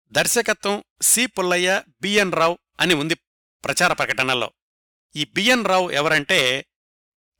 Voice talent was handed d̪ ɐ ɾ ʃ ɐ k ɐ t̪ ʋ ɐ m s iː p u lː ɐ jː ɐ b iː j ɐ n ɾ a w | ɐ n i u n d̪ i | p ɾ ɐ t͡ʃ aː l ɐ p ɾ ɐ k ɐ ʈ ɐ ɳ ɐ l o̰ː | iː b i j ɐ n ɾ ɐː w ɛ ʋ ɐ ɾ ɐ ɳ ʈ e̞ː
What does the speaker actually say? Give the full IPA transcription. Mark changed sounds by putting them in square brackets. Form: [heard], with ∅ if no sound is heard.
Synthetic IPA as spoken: d̪ ɐ ɾ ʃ ɐ k ɐ t̪ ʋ ɐ m s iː p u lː ɐ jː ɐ b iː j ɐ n ɾ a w | ɐ n i u n d̪ i | p ɾ ɐ t͡ʃ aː [ɾ] ɐ p ɾ ɐ k ɐ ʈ ɐ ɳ ɐ l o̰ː | iː b i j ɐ n ɾ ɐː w ɛ ʋ ɐ ɾ ɐ ɳ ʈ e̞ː